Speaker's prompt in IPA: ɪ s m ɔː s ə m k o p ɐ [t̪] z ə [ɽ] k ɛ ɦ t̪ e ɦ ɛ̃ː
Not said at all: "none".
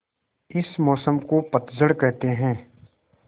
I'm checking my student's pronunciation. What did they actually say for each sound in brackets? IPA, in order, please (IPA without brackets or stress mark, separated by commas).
t̪, ɽ